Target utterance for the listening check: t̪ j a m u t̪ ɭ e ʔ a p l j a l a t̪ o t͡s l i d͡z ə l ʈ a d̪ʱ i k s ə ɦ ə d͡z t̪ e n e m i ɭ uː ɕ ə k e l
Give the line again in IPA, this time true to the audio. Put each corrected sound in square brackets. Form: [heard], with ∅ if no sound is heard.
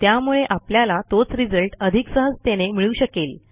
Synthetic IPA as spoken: t̪ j a m u [∅] ɭ e ʔ a p l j a l a t̪ o t͡s [ɾ] i d͡z ə l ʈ [ə] d̪ʱ i k s ə ɦ ə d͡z t̪ e n e m i ɭ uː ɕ ə k e l

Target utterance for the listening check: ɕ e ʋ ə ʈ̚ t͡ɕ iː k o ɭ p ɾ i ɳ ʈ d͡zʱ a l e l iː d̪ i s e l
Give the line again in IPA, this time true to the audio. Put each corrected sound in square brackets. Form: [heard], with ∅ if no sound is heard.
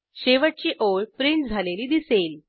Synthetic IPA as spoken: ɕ e ʋ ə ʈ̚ t͡ɕ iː [ʔ] o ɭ p ɾ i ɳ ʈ d͡zʱ a l e l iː d̪ i s e l

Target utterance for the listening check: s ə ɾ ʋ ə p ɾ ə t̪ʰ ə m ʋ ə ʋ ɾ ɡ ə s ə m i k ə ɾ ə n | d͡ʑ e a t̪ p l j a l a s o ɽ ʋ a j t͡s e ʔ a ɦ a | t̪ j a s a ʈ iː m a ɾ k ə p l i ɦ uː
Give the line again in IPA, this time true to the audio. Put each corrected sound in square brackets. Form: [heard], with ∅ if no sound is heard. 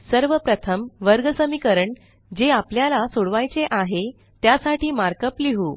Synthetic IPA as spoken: s ə ɾ ʋ ə p ɾ ə t̪ʰ ə m ʋ ə [∅] ɾ ɡ ə s ə m i k ə ɾ ə [ɳ] | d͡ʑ e a [∅] p l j a l a s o ɽ ʋ a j t͡s e ʔ a ɦ [e] | t̪ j a s a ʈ iː m a ɾ k ə p l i ɦ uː

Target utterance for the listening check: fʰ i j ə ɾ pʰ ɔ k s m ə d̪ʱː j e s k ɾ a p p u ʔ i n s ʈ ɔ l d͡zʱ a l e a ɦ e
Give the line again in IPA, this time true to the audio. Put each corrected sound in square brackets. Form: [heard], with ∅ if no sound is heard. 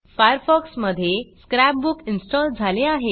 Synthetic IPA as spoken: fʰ [a] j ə ɾ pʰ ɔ k s m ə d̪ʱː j e s k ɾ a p [b] u [k] i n s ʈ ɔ l d͡zʱ a l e a ɦ e

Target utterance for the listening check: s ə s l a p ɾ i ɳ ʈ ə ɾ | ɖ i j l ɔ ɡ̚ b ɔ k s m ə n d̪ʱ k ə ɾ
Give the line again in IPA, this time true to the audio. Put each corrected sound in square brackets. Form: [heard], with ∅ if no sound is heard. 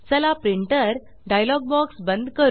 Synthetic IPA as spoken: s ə [∅] l a p ɾ i ɳ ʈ ə ɾ | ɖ [a] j l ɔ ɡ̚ b ɔ k s [b] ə n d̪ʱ k ə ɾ

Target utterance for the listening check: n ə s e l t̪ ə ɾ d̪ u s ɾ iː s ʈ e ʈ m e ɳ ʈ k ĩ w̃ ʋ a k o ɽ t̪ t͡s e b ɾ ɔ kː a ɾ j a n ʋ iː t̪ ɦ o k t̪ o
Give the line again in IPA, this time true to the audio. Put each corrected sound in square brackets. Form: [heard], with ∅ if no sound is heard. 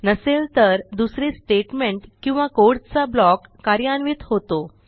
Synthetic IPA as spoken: n ə s e l t̪ ə ɾ d̪ u s ɾ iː s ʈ e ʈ m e ɳ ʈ k ĩ w̃ ʋ a k o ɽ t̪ t͡s [a] b [l] ɔ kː a ɾ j a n ʋ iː t̪ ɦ o [∅] t̪ o

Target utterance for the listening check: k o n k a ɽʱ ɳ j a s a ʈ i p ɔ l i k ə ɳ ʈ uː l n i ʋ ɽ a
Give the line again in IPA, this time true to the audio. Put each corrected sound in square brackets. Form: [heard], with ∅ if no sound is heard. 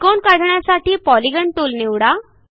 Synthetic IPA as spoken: k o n k a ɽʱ ɳ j a s a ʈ [iː] p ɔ l i [ɡ] ə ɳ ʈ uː l n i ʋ ɽ a

